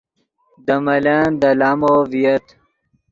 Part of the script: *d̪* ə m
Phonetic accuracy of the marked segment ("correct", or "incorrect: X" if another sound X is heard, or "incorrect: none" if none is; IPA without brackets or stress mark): correct